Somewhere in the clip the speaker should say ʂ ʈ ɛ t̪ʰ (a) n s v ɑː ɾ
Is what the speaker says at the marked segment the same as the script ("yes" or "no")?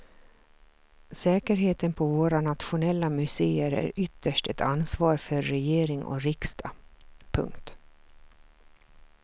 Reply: yes